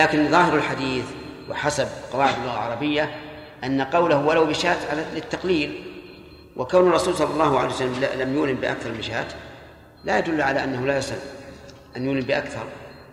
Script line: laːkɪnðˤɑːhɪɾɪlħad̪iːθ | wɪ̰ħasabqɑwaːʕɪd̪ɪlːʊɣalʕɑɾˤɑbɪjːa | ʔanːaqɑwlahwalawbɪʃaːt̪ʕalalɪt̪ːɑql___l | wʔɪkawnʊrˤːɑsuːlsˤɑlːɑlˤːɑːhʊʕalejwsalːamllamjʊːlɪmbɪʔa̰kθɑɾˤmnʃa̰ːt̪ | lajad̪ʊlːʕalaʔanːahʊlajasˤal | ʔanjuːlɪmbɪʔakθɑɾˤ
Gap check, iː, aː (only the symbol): iː